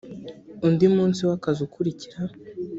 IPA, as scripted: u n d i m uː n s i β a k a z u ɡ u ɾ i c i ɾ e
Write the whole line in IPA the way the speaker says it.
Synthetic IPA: u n d i m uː n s i w a k a z u k u ɾ i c i ɾ a